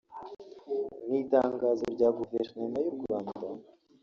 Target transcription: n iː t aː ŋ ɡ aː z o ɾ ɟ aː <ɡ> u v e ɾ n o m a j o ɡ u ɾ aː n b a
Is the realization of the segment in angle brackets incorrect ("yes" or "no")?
no